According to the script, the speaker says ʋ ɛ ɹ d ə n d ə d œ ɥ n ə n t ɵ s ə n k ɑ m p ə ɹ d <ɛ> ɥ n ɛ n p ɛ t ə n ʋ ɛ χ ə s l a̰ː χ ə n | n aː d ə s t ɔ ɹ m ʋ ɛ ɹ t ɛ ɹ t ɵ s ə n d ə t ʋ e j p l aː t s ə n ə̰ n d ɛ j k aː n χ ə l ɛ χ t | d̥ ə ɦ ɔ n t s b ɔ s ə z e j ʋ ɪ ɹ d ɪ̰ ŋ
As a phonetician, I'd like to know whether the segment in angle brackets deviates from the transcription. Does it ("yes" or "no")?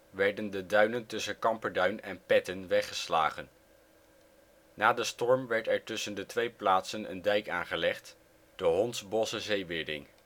yes